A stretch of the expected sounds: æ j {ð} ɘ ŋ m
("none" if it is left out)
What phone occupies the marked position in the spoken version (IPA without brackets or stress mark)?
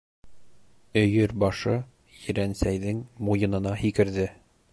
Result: ð